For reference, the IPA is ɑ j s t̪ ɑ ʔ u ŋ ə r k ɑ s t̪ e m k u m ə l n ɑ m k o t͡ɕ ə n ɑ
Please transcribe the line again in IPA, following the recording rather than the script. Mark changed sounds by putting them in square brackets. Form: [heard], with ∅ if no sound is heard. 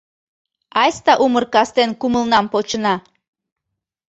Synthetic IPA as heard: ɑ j s t̪ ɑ ʔ u [m] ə r k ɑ s t̪ e [n] k u m ə l n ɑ m [p] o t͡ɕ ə n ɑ